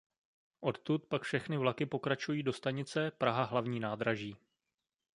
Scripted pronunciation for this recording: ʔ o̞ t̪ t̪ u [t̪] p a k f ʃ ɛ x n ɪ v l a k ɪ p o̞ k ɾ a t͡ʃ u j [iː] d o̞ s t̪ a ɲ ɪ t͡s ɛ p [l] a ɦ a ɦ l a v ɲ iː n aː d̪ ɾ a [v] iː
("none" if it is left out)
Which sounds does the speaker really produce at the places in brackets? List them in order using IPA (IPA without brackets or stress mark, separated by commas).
t̪, iː, ɾ, ʒ